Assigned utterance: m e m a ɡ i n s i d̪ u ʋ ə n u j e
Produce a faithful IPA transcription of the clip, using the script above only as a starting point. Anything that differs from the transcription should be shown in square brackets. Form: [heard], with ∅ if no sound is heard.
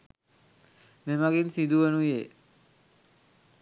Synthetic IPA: m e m a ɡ i n s i d̪ u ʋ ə n u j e

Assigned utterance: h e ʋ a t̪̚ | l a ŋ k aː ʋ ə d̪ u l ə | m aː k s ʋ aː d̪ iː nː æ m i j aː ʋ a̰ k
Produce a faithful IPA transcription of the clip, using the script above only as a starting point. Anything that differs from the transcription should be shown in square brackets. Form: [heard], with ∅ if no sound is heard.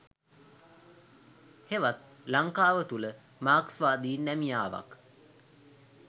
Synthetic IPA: h e ʋ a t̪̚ | l a ŋ k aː ʋ ə [t̪] u l ə | m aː k s ʋ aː d̪ iː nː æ m i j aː ʋ a̰ k

